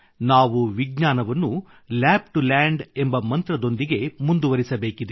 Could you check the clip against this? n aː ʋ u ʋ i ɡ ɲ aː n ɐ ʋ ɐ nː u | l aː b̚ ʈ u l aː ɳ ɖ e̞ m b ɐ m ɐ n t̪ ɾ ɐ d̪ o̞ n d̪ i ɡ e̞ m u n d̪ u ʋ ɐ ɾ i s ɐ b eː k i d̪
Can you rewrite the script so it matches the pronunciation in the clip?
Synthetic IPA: n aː ʋ u ʋ i ɡ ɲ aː n ɐ ʋ ɐ nː u | l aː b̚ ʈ u l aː ɳ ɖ e̞ m b ɐ m ɐ n t̪ ɾ ɐ d̪ o̞ n d̪ i ɡ e̞ m u n d̪ u ʋ ɐ ɾ i s ɐ b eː k i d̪

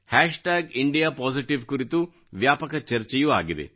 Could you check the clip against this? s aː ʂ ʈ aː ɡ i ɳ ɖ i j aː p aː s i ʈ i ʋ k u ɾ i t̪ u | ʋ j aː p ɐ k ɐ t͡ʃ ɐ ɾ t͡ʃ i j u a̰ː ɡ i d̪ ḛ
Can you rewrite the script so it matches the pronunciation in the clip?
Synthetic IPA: h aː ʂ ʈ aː ɡ i ɳ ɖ i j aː p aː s i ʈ i ʋ k u ɾ i t̪ u | ʋ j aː p ɐ k ɐ t͡ʃ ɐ ɾ t͡ʃ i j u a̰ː ɡ i d̪ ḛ

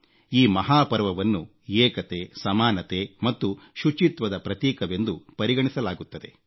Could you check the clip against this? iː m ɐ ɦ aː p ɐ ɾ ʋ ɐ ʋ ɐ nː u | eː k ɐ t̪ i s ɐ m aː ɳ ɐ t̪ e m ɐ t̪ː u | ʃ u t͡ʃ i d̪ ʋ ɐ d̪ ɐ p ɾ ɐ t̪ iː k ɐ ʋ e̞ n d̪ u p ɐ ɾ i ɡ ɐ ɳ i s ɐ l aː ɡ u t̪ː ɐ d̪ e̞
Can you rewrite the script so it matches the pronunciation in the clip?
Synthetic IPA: iː m ɐ ɦ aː p ɐ ɾ ʋ ɐ ʋ ɐ nː u | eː k ɐ t̪ e s ɐ m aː n ɐ t̪ e m ɐ t̪ː u | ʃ u t͡ʃ i t̪ ʋ ɐ d̪ ɐ p ɾ ɐ t̪ iː k ɐ ʋ e̞ n d̪ u p ɐ ɾ i ɡ ɐ ɳ i s ɐ l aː ɡ u t̪ː ɐ d̪ e̞

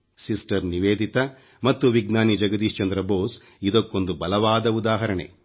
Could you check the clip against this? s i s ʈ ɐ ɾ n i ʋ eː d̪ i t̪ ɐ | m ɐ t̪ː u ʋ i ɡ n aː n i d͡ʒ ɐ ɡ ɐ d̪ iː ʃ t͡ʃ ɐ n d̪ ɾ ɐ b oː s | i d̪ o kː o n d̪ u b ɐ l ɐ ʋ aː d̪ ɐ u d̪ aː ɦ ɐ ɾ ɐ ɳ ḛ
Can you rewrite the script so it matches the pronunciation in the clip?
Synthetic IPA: s i s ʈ ɐ ɾ n i ʋ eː d̪ i t̪ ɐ | m ɐ t̪ː u ʋ i ɡ n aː n i d͡ʒ ɐ ɡ ɐ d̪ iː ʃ t͡ʃ ɐ n d̪ ɾ ɐ b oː s | i d̪ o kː o n d̪ u b ɐ l ɐ ʋ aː d̪ ɐ u d̪ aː ɦ ɐ ɾ ɐ ɳ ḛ

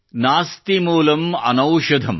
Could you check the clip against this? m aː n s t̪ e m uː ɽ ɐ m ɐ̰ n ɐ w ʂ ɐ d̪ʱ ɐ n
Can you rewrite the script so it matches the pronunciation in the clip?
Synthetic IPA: n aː s t̪ i m uː l ɐ m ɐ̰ n ɐ w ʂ ɐ d̪ʱ ɐ m

